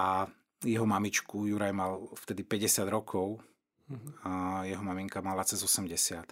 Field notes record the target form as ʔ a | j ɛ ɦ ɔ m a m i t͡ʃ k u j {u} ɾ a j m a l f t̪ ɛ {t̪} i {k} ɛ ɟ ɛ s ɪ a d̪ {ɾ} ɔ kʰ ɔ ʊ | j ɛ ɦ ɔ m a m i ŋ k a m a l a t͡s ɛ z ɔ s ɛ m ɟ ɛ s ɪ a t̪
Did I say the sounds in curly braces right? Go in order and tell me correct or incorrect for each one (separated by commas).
correct, incorrect, incorrect, correct